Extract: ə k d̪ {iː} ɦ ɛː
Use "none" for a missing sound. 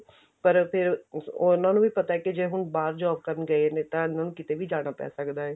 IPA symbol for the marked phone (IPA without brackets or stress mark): aː